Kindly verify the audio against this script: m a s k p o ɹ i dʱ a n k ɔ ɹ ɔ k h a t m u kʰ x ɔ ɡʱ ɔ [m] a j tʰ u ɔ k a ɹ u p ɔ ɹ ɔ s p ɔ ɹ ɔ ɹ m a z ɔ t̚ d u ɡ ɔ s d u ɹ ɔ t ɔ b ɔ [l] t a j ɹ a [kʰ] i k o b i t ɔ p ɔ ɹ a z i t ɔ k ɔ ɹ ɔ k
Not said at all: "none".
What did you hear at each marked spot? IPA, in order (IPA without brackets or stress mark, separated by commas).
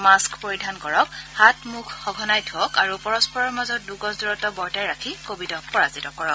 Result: n, ɹ, kʰ